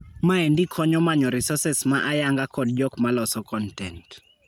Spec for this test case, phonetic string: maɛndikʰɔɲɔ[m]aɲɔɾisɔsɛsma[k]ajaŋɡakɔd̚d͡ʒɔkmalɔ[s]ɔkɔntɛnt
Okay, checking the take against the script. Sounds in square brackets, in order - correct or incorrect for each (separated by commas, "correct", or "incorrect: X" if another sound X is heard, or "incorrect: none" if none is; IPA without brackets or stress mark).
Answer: correct, incorrect: ʔ, correct